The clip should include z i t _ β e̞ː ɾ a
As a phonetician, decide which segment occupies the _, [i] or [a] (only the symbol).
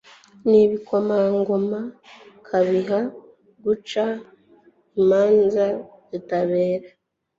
a